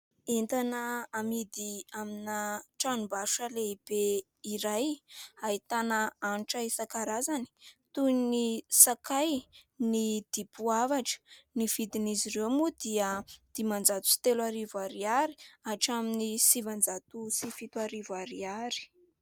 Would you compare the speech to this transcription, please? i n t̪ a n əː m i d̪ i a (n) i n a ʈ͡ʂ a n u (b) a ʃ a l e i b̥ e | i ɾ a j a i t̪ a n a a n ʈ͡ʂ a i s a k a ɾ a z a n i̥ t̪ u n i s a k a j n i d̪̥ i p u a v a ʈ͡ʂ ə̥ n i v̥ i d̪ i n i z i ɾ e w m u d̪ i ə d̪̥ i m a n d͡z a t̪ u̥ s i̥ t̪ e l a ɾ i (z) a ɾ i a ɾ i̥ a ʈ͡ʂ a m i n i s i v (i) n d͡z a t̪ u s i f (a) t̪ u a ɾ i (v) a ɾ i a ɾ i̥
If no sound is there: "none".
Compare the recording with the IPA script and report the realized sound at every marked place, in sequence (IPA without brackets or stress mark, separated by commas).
m, b, v, a, i, v